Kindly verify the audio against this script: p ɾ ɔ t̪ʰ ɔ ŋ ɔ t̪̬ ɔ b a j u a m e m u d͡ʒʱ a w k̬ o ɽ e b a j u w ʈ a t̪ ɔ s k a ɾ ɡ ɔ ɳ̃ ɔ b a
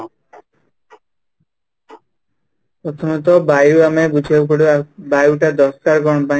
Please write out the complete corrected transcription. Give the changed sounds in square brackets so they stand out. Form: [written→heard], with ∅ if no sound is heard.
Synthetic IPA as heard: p ɾ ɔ t̪ʰ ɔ [ŋ→m] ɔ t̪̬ ɔ b a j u a m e [m→b] u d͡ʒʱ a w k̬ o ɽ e b a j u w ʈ a [t̪→d̪] ɔ s k a ɾ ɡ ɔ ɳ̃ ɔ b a